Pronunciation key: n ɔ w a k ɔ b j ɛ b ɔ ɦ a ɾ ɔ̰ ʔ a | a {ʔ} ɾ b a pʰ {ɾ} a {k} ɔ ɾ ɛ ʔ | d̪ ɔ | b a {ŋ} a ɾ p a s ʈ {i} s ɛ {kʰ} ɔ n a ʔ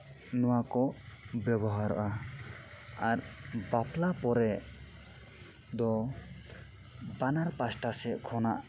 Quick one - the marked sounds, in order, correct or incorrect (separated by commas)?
incorrect, incorrect, incorrect, incorrect, incorrect, correct